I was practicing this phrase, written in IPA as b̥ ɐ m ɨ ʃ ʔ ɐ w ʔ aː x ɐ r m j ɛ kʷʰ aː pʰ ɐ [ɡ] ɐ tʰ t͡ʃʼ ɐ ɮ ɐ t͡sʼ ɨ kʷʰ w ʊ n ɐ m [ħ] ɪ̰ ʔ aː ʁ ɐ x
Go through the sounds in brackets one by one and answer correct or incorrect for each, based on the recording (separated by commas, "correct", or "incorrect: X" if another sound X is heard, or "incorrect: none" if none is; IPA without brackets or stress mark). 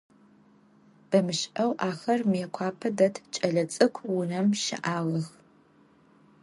incorrect: d, incorrect: ʃ